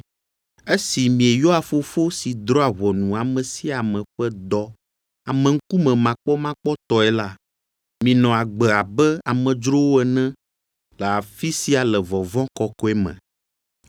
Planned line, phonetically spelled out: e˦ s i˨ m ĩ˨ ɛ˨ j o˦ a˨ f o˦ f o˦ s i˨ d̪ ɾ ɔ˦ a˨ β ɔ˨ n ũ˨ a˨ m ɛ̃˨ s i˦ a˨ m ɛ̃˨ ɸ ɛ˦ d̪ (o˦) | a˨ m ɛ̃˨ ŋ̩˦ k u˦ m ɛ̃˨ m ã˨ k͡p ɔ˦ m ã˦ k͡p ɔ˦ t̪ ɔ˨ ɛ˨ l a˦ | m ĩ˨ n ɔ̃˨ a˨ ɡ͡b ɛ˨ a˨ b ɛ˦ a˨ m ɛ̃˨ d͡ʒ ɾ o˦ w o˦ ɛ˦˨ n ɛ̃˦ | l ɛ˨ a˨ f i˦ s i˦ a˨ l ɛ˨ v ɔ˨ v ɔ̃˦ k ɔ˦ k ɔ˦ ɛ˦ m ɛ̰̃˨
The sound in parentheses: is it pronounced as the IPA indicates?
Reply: no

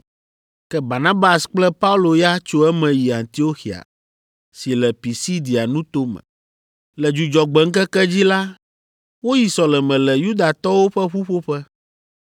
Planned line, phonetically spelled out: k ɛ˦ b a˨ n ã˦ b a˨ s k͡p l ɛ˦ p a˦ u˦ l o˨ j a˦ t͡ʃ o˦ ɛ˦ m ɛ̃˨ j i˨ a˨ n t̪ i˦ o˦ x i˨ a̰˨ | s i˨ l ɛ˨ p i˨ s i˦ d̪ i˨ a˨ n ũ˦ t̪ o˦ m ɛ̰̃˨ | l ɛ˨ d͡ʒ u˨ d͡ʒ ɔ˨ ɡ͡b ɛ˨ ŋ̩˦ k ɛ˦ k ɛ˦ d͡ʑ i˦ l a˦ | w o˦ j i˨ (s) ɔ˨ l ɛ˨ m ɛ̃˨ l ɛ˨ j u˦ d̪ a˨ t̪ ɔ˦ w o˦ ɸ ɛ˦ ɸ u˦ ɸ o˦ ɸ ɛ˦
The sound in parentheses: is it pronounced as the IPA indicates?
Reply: yes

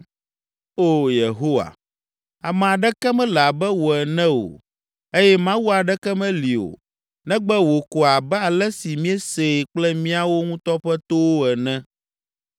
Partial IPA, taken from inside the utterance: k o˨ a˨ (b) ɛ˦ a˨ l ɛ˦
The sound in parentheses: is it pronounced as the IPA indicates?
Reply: yes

